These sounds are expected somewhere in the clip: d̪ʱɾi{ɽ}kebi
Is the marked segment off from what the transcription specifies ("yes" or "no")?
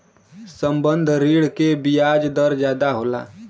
no